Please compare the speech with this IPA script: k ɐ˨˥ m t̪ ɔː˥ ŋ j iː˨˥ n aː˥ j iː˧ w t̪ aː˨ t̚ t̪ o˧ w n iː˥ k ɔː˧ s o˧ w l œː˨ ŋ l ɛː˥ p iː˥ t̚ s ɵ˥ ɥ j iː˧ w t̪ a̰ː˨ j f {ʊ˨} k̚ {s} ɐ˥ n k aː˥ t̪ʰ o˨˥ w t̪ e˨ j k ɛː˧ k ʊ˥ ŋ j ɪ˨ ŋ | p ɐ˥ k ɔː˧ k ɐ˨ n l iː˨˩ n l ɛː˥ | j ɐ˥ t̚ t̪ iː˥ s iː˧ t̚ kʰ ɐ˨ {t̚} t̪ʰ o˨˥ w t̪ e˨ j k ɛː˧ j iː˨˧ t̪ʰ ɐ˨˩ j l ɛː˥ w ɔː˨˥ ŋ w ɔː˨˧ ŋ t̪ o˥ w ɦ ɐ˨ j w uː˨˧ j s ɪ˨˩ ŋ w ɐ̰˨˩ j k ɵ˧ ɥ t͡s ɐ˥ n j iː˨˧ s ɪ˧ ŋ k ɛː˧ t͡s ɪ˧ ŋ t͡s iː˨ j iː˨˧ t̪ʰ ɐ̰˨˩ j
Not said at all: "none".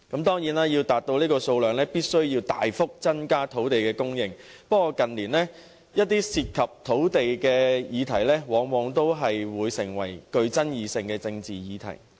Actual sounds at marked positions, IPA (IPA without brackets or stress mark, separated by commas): ʊ˥, t͡s, p̚